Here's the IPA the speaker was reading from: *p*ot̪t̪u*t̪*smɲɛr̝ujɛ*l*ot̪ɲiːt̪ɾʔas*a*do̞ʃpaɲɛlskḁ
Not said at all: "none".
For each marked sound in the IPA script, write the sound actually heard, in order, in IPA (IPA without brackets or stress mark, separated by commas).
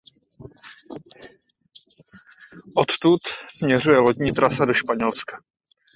ʔ, t̪, l, a